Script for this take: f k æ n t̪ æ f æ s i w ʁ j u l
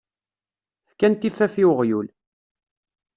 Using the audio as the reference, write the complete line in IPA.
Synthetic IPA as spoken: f k æ n t̪ i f æ f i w ʁ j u l